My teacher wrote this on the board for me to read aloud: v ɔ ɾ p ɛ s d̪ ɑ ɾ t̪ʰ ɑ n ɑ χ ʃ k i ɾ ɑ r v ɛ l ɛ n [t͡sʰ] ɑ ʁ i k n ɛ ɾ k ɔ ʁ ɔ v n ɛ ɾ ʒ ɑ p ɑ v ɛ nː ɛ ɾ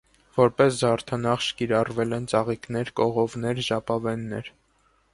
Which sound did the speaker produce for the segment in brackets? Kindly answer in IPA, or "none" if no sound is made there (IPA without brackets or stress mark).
t͡s